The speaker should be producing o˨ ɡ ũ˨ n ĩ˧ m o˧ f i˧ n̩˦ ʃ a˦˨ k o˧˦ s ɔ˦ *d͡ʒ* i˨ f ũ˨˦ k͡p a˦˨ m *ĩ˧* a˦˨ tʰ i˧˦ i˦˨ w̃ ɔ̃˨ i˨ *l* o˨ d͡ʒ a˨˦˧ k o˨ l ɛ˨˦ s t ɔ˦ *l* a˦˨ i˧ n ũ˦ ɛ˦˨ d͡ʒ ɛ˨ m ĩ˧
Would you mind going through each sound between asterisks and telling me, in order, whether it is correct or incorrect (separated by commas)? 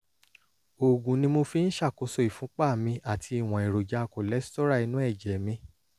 incorrect, correct, incorrect, incorrect